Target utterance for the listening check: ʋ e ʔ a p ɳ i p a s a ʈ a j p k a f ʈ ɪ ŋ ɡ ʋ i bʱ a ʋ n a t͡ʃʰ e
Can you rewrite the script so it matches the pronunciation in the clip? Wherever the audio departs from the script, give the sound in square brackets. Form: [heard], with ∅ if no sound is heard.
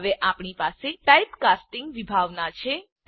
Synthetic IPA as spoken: ʋ e ʔ a p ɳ i p a s [e] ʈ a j p k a [s] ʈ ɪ ŋ ɡ ʋ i bʱ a ʋ n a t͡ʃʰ e